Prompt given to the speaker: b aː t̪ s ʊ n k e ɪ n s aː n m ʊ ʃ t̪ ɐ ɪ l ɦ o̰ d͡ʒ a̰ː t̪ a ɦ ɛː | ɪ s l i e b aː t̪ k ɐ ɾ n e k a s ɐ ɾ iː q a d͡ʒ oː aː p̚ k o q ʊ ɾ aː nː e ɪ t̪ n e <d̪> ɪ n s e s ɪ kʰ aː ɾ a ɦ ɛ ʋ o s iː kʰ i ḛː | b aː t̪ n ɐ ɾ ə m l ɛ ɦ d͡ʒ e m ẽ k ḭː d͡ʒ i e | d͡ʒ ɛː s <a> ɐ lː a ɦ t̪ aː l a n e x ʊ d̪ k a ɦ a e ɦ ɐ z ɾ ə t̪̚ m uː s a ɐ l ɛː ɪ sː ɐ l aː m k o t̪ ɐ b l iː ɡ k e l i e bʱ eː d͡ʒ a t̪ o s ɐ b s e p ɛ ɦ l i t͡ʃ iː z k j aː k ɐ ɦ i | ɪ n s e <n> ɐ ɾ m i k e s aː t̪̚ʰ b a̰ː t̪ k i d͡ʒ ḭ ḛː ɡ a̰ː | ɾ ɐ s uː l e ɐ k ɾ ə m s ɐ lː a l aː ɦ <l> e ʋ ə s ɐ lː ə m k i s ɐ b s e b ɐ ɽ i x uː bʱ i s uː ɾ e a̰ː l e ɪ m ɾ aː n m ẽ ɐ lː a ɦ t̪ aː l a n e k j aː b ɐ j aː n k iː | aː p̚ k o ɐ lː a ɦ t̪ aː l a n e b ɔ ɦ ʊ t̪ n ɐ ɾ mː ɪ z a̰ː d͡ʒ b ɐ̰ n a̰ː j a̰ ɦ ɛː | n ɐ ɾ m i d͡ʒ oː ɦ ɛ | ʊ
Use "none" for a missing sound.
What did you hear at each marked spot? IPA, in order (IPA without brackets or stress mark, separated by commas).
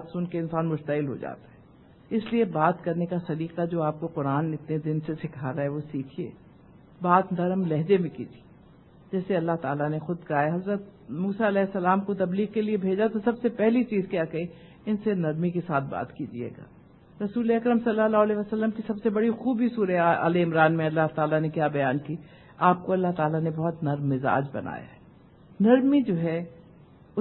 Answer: d̪, e, n, l